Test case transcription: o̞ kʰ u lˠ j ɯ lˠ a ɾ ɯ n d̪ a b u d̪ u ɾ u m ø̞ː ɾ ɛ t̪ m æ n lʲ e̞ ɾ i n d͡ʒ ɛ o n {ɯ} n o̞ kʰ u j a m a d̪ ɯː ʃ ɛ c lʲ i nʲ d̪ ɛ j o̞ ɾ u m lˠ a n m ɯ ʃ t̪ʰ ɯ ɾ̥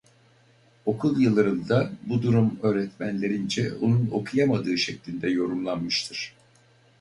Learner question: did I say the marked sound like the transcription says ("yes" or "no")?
no